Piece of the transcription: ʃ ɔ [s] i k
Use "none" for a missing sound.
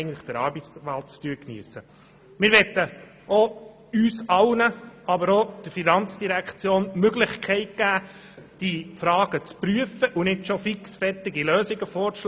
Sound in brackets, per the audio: f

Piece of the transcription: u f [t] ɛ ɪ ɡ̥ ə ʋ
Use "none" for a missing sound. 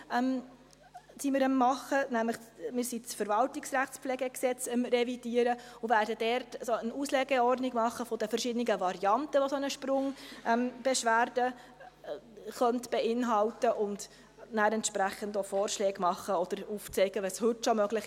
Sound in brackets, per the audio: t͡s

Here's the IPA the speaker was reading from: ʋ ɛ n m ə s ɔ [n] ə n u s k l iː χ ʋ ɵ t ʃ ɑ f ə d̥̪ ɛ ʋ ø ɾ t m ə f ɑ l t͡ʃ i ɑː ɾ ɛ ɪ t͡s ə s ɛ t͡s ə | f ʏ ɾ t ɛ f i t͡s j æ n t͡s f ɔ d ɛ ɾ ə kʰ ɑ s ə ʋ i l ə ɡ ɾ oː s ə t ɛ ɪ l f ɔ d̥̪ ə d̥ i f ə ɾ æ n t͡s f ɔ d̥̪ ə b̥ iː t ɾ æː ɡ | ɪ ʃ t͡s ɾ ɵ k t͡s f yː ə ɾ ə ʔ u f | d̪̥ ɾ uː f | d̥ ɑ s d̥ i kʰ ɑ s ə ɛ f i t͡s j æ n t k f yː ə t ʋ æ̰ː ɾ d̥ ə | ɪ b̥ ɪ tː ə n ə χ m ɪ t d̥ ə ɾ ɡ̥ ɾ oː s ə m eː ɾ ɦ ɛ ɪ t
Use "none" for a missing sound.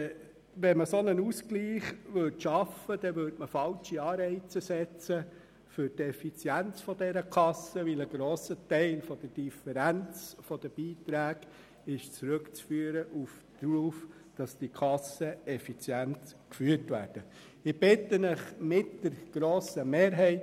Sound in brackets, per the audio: n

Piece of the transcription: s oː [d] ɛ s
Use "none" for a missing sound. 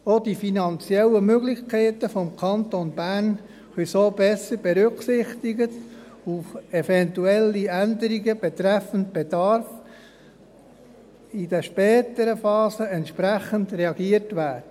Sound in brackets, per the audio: b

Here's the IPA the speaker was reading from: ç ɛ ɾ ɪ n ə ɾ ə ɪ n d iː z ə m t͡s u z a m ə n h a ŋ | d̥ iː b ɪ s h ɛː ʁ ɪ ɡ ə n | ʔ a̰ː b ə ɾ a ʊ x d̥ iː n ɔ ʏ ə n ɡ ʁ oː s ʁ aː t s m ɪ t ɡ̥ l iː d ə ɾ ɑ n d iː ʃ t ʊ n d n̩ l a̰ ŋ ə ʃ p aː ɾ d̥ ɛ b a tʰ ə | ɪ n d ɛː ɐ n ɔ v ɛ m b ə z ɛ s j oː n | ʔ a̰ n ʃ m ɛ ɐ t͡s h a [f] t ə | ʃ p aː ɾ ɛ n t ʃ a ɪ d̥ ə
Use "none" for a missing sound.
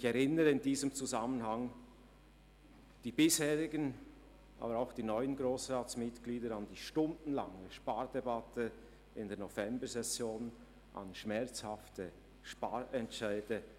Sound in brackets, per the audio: f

